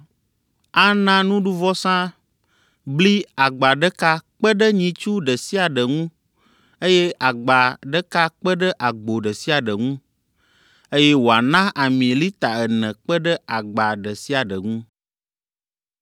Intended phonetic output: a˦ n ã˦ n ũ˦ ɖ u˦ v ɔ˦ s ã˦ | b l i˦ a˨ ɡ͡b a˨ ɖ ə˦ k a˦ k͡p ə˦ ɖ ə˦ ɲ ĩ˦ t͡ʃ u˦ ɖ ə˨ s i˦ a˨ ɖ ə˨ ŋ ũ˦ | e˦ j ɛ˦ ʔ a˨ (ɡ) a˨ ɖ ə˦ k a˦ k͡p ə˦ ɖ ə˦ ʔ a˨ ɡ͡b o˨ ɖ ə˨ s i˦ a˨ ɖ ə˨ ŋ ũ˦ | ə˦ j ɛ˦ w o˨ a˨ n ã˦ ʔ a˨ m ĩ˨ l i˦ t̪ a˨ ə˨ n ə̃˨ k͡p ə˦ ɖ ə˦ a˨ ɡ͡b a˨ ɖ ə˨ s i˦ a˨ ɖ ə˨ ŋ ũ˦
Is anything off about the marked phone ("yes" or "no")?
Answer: yes